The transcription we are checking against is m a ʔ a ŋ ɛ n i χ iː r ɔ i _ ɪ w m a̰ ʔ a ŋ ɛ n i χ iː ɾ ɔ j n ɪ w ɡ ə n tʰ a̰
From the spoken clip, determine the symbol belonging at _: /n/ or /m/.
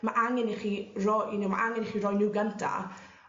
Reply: n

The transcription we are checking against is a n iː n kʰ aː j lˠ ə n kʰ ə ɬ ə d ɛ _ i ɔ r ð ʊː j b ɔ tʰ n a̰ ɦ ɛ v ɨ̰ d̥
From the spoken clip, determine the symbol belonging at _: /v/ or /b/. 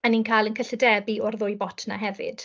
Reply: b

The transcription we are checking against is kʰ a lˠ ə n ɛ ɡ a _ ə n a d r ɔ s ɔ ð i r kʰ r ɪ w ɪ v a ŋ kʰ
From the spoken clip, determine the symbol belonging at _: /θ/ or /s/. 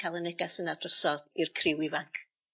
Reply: s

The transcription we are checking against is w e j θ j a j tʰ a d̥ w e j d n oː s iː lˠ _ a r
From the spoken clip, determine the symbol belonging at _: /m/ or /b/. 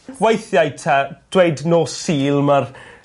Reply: m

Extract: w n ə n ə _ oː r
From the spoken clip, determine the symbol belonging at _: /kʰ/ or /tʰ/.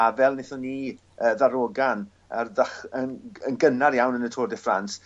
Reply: tʰ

